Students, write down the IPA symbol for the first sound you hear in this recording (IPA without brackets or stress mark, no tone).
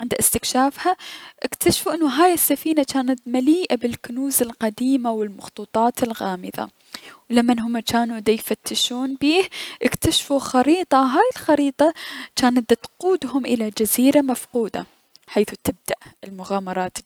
ʕ